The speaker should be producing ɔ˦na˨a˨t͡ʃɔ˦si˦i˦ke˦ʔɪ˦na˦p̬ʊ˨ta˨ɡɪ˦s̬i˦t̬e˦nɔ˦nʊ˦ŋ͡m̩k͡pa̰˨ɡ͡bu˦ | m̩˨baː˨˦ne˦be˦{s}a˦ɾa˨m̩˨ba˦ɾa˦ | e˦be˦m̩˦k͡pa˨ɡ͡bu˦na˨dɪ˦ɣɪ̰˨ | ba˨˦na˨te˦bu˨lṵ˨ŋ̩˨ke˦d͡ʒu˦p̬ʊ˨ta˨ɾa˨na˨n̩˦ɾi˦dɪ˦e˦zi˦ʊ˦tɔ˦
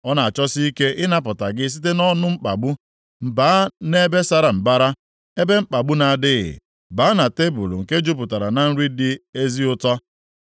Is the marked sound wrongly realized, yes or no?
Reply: no